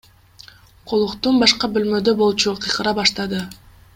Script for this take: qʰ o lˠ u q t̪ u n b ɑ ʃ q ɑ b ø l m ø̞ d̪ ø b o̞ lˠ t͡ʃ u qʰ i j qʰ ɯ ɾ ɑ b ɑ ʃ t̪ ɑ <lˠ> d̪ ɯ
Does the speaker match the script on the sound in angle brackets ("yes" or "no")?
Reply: no